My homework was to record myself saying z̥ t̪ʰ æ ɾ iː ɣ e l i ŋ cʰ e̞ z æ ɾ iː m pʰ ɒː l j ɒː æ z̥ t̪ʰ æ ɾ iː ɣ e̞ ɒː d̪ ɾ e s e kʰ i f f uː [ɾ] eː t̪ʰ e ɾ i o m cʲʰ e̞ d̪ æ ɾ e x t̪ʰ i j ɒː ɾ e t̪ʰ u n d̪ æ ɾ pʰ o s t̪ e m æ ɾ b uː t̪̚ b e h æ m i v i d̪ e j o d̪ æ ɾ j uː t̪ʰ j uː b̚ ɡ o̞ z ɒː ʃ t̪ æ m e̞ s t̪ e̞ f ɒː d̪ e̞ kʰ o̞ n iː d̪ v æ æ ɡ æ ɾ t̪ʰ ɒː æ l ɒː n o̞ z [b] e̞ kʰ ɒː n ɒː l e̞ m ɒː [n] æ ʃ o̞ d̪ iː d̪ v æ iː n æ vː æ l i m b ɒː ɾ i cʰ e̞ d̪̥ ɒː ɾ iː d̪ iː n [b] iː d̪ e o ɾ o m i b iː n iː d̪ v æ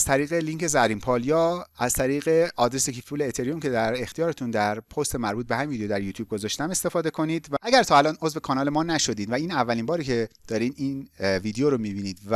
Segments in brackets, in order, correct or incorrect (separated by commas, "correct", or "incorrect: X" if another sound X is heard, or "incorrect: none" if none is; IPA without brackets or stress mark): incorrect: l, incorrect: v, correct, incorrect: v